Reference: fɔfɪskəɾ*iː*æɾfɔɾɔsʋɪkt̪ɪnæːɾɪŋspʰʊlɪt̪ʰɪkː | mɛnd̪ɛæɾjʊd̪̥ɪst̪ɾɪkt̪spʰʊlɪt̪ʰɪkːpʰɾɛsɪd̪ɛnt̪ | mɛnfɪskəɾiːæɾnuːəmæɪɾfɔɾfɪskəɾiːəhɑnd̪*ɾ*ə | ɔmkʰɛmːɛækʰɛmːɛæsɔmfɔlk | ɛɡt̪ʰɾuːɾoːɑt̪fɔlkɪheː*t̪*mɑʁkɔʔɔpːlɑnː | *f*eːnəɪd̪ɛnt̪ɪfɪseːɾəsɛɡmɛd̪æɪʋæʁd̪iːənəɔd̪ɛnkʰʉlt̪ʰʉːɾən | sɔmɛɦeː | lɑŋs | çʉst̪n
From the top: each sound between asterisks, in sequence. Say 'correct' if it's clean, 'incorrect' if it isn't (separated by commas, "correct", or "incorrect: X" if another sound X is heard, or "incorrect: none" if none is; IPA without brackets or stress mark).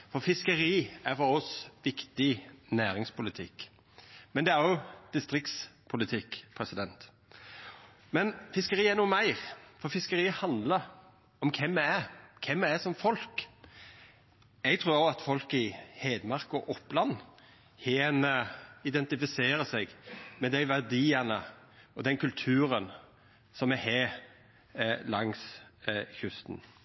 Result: correct, incorrect: l, incorrect: d̪, incorrect: h